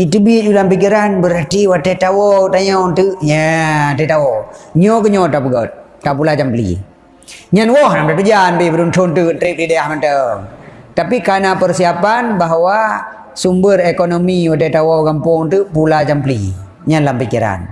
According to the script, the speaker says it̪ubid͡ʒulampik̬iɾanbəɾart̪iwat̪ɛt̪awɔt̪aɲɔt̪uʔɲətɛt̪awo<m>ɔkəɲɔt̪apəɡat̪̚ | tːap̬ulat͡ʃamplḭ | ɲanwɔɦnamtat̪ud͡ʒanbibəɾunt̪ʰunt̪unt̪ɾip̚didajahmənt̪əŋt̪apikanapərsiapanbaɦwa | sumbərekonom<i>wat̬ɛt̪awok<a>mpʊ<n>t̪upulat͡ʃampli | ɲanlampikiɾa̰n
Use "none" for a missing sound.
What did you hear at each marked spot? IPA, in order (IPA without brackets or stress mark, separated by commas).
ɲ, i, a, ŋ